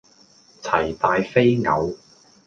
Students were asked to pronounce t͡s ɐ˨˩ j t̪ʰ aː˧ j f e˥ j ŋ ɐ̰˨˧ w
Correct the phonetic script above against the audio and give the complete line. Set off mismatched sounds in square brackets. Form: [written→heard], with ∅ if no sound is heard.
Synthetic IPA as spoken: [t͡s→t͡sʰ] ɐ˨˩ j [t̪ʰ→t̪] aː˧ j f e˥ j ŋ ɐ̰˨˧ w